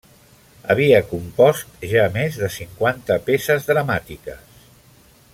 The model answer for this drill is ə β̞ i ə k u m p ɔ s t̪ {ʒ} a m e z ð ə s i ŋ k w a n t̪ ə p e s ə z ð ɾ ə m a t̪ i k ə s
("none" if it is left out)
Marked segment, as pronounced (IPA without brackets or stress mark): ʒ